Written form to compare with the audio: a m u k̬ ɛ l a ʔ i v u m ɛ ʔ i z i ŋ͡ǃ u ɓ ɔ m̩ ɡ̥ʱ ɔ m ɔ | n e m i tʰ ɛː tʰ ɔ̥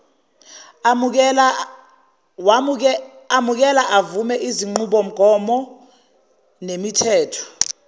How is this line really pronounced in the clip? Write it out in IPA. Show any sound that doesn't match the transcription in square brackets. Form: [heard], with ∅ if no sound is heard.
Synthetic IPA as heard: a m u k̬ ɛ l a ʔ [a] v u m ɛ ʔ i z i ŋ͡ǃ u ɓ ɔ m̩ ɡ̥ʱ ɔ m ɔ | n e m i tʰ ɛː tʰ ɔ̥